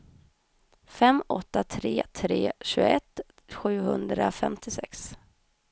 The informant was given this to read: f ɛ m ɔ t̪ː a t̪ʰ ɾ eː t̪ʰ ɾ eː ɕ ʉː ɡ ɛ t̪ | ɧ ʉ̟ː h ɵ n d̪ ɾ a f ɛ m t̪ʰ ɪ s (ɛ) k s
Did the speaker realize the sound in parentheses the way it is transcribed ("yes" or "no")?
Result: yes